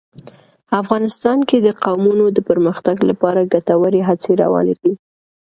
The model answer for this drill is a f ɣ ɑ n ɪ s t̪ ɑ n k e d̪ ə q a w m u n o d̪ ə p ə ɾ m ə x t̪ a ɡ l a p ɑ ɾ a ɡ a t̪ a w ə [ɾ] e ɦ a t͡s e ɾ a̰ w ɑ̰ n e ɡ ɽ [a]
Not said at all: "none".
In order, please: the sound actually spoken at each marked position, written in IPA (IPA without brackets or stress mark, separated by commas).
ɾ, i